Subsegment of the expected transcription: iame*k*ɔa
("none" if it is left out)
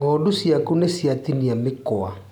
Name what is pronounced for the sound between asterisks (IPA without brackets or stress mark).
k